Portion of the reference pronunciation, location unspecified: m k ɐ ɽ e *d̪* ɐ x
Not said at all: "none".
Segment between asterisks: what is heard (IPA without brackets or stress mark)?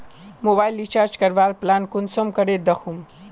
d̪